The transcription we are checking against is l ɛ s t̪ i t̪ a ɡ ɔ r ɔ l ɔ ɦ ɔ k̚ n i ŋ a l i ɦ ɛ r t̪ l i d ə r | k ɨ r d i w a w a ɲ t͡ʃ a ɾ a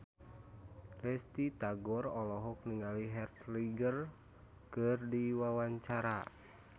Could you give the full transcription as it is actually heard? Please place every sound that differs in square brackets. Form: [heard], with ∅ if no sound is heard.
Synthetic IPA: l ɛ s t̪ i t̪ a ɡ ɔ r ɔ l ɔ ɦ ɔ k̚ n i ŋ a l i ɦ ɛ r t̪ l i [ɡ] ə r | k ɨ r d i w a w a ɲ t͡ʃ a ɾ a